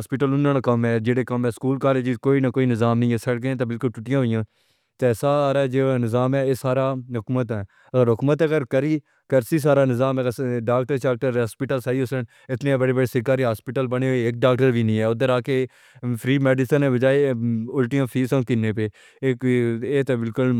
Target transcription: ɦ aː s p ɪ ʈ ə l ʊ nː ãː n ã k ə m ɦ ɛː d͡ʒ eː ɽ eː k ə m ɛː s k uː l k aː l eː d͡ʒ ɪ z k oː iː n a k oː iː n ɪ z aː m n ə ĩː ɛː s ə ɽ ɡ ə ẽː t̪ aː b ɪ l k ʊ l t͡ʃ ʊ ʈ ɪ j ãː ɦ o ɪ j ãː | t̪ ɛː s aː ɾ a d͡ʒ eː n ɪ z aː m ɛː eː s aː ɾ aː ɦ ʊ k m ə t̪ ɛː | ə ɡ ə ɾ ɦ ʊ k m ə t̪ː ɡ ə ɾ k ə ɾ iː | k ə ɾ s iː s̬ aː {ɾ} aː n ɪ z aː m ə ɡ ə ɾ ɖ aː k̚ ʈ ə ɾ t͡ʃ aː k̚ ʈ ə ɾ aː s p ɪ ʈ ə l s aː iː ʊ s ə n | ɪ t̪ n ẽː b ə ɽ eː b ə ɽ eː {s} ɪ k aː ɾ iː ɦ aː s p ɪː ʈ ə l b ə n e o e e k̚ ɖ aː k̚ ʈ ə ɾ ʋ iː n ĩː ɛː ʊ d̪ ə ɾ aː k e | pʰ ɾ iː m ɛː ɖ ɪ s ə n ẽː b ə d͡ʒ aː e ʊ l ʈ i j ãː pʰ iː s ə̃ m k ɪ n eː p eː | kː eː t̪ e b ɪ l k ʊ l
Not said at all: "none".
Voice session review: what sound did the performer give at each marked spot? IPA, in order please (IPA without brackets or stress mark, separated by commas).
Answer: ɾ, s